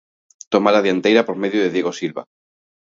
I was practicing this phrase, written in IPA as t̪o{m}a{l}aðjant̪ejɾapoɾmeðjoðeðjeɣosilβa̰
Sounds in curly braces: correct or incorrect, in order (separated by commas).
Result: correct, correct